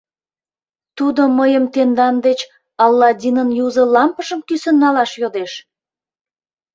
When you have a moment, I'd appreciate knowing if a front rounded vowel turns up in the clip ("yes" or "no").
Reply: yes